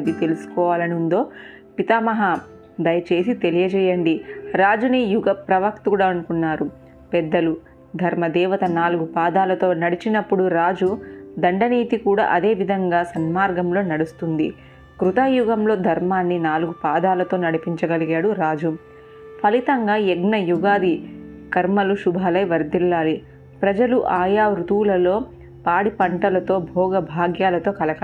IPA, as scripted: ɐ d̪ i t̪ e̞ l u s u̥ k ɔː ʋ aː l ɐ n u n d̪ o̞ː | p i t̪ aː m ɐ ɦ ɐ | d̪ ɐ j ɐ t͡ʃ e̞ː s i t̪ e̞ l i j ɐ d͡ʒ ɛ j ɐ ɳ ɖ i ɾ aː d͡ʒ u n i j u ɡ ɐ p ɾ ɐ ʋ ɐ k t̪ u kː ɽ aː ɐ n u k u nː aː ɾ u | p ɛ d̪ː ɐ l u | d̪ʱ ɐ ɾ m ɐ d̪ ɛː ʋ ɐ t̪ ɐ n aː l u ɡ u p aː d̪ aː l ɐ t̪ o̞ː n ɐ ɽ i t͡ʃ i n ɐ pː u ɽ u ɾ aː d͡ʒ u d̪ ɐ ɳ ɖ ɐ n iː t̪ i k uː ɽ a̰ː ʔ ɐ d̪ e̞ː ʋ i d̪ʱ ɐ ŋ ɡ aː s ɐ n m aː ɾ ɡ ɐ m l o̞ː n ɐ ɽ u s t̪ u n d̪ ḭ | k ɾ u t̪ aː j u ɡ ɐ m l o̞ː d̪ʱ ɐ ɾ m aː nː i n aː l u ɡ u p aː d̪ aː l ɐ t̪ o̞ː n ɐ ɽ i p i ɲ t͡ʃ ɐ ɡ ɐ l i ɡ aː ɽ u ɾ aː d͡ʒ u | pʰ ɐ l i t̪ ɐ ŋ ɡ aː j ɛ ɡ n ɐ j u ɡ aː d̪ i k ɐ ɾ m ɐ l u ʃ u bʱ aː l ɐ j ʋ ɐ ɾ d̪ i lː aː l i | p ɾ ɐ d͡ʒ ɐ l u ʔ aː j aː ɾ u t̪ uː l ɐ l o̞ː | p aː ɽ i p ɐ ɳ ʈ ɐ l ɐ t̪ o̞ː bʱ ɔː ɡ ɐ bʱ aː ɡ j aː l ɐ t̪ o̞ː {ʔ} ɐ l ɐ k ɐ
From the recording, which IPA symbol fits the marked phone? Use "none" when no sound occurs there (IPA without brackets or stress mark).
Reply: k